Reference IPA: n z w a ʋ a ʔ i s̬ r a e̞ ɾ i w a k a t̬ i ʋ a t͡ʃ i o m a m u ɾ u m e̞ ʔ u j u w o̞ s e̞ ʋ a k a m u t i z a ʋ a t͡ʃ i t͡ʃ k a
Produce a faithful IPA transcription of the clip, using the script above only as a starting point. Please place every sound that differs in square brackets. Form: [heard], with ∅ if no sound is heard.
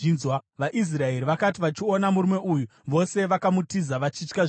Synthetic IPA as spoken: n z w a ʋ a ʔ i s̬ r a e̞ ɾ i [ʋ] a k a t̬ i ʋ a t͡ʃ i o [n] a m u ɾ u m e̞ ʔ u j u [ʋ] o̞ s e̞ ʋ a k a m u t i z a ʋ a t͡ʃ i t͡ʃ k a

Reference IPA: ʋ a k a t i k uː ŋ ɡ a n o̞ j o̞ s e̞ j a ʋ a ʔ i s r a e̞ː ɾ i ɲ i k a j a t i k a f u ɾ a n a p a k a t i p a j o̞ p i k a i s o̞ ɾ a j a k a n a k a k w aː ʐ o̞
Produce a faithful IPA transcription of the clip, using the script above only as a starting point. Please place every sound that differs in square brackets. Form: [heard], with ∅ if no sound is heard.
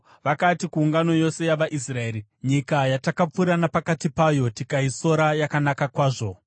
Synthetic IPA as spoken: ʋ a k a t i k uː ŋ ɡ a n o̞ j o̞ s e̞ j a ʋ a ʔ i s r a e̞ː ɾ i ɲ i k a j a t [a] k a [p͡f] u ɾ a n a p a k a t i p a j o̞ [t] i k a i s o̞ ɾ a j a k a n a k a k w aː ʐ o̞

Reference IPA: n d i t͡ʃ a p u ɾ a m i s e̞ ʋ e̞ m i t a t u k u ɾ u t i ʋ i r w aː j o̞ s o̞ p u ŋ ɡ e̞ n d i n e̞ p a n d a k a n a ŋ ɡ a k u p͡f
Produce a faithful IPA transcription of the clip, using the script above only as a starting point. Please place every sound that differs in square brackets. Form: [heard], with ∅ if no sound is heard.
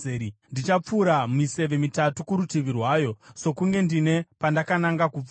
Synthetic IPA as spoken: n d i t͡ʃ a [p͡f] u ɾ a m i s e̞ ʋ e̞ m i t a t u k u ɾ u t i ʋ i r w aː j o̞ s o̞ [k] u ŋ ɡ e̞ n d i n e̞ p a n d a k a n a ŋ ɡ a k u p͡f

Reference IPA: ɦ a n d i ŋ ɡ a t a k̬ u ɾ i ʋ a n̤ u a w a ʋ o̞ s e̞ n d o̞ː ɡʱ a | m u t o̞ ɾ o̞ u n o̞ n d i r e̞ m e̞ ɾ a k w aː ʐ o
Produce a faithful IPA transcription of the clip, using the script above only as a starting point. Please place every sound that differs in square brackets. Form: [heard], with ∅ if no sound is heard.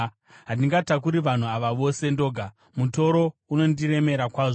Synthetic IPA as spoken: ɦ a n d i ŋ ɡ a t a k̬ u ɾ i ʋ a n̤ u a [ʋ] a ʋ o̞ s e̞ n d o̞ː ɡʱ a | m u t o̞ ɾ o̞ u n o̞ n d i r e̞ m e̞ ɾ a k w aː ʐ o

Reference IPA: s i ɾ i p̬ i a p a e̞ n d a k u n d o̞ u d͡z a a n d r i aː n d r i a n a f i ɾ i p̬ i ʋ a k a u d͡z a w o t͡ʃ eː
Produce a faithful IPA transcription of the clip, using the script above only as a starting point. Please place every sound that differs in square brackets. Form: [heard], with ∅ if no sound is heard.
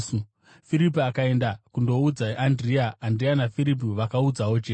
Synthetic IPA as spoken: [f] i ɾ i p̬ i a [k] a e̞ n d a k u n d o̞ u d͡z a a n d r i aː n d r i a n a f i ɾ i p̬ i ʋ a k a u d͡z a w o t͡ʃ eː

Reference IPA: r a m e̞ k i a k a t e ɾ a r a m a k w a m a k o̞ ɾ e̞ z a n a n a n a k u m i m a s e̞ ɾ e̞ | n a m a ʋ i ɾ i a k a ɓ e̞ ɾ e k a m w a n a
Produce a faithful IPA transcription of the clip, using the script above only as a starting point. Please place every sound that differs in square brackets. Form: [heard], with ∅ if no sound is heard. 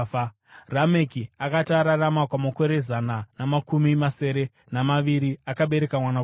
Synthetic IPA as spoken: r a m e̞ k i a k a t [a] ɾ a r a m a k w a m a k o̞ ɾ e̞ z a n a n a [m] a k u m i m a s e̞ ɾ e̞ | n a m a ʋ i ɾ i a k a ɓ e̞ ɾ e k a m w a n a

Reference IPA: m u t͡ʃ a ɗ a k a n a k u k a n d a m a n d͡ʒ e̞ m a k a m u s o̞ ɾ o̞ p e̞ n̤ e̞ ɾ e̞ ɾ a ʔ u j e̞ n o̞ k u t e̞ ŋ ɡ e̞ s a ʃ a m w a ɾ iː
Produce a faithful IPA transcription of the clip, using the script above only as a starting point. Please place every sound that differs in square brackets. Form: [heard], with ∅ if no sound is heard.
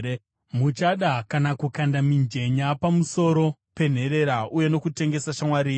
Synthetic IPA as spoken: m u t͡ʃ a ɗ a k a n a k u k a n d a m [i] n d͡ʒ e̞ [ɲ] a [p] a m u s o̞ ɾ o̞ p e̞ n̤ e̞ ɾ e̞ ɾ a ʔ u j e̞ n o̞ k u t e̞ ŋ ɡ e̞ s a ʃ a m w a ɾ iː

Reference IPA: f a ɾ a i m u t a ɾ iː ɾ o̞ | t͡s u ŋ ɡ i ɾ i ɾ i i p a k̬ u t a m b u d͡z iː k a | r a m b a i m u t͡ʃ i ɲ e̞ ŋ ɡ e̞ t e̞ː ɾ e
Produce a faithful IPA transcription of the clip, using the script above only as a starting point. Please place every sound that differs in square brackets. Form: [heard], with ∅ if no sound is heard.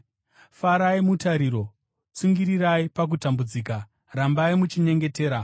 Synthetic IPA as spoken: f a ɾ a i m u t a ɾ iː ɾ o̞ | t͡s u ŋ ɡ i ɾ i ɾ [a] i p a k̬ u t a m b u d͡z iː k a | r a m b a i m u t͡ʃ i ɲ e̞ ŋ ɡ e̞ t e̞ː ɾ [a]

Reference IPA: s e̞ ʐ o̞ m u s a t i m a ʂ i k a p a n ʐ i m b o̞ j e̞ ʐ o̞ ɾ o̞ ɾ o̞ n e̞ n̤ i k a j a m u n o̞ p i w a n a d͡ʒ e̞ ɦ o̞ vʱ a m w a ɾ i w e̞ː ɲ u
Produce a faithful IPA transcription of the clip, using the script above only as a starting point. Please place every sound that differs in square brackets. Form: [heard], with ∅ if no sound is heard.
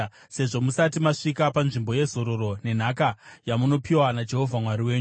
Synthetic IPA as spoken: s e̞ ʐ o̞ m u s a t i m a ʂ i k a p a n ʐ i m b o̞ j e̞ [z] o̞ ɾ o̞ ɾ o̞ n e̞ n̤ [a] k a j a m u n o̞ p i w a n a d͡ʒ e̞ ɦ o̞ vʱ a m w a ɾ i w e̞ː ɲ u

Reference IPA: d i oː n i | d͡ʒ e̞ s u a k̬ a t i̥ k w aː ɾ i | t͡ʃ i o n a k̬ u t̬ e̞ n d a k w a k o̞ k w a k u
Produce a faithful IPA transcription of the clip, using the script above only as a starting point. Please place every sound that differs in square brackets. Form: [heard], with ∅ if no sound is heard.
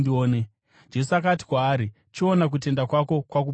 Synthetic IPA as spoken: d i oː n [e] | d͡ʒ e̞ s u a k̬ a t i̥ k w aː ɾ i | t͡ʃ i o n a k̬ u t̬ e̞ n d a k w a k o̞ k w a k u

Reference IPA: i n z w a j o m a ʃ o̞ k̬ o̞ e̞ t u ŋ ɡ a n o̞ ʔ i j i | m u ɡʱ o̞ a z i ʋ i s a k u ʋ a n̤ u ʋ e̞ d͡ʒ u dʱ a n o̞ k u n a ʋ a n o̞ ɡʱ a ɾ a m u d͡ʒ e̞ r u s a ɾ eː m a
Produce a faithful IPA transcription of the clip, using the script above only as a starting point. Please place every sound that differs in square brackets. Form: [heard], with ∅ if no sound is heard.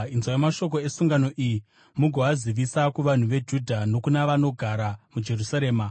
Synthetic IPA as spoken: i n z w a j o m a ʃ o̞ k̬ o̞ e̞ [s] u ŋ ɡ a n o̞ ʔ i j i | m u ɡʱ o̞ a z i ʋ i s a k u ʋ a n̤ u ʋ e̞ d͡ʒ u dʱ a n o̞ k u n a ʋ a n o̞ ɡʱ a ɾ a m u d͡ʒ e̞ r u s a ɾ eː m a

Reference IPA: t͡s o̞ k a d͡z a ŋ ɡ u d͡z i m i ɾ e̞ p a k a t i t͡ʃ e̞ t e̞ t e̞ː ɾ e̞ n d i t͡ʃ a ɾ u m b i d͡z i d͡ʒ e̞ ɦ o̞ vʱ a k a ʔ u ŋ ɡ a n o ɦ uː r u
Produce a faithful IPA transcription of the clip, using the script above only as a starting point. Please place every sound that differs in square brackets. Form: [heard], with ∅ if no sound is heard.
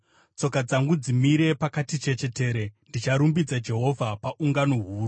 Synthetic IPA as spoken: t͡s o̞ k a d͡z a ŋ ɡ u d͡z i m i ɾ e̞ p a k a t i t͡ʃ e̞ [t͡ʃ] e̞ t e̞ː ɾ e̞ n d i t͡ʃ a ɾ u m b i d͡z [a] d͡ʒ e̞ ɦ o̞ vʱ a [p] a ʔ u ŋ ɡ a n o ɦ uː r u

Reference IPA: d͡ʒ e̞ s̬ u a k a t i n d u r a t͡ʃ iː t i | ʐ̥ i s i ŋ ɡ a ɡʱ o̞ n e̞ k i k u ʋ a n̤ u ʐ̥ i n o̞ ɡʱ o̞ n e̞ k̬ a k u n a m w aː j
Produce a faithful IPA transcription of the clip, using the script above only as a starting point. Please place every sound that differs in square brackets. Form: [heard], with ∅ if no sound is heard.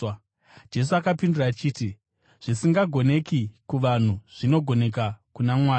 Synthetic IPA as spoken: d͡ʒ e̞ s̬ u a k a [p] i n d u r a t͡ʃ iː t i | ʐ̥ i s i ŋ ɡ a ɡʱ o̞ n e̞ k i k u ʋ a n̤ u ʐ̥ i n o̞ ɡʱ o̞ n e̞ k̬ a k u n a m w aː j

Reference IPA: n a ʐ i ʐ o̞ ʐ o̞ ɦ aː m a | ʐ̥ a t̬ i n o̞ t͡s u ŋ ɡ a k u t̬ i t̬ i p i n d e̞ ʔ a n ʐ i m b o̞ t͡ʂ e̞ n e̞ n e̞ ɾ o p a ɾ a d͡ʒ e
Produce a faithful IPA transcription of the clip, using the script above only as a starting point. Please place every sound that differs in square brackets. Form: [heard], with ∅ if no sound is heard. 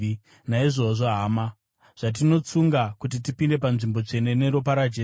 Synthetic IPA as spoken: n a [∅] i ʐ o̞ ʐ o̞ ɦ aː m a | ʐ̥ a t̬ i n o̞ t͡s u ŋ ɡ a k u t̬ i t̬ i p i n d e̞ [p] a n ʐ i m b o̞ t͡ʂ e̞ n e̞ n e̞ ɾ o p a ɾ a d͡ʒ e

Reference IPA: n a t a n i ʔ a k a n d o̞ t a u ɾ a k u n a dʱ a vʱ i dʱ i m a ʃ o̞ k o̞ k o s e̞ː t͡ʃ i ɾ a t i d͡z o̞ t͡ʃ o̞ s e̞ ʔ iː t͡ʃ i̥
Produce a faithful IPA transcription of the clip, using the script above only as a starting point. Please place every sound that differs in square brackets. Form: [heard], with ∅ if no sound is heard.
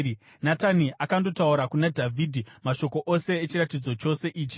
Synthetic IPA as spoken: n a t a n i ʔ a k a n d o̞ t a u ɾ a k u n a dʱ a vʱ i dʱ i m a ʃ o̞ k o̞ [ʔ] o s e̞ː t͡ʃ i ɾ a t i d͡z o̞ t͡ʃ o̞ s e̞ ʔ iː t͡ʃ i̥

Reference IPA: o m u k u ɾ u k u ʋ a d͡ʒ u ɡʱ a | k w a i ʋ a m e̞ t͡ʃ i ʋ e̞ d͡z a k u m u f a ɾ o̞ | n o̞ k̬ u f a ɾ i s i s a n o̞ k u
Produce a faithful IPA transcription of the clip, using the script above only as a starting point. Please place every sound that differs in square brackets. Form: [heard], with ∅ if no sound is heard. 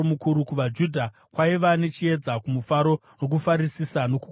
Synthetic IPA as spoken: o m u k u ɾ u k u ʋ a d͡ʒ u [dʱ] a | k w a i ʋ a [n] e̞ t͡ʃ i [∅] e̞ d͡z a k u m u f a ɾ o̞ | n o̞ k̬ u f a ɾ i s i s a n o̞ k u

